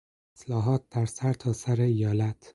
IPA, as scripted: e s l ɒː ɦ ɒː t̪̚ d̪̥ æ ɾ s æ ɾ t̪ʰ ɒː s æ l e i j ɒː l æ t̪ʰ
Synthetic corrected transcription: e s l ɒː ɦ ɒː t̪̚ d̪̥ æ ɾ s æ ɾ t̪ʰ ɒː s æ ɾ e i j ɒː l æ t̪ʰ